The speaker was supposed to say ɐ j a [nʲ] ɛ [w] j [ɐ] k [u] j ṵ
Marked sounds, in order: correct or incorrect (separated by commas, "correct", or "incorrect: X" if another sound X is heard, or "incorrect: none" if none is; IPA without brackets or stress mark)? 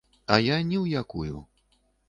correct, correct, incorrect: a, correct